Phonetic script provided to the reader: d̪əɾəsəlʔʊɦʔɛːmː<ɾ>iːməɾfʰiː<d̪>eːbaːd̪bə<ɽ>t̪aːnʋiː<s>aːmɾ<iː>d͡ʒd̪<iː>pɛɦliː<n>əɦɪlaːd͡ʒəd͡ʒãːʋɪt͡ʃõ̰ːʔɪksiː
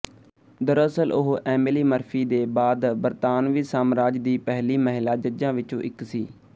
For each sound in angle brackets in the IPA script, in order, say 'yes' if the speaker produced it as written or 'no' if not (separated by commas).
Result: no, yes, no, yes, no, yes, no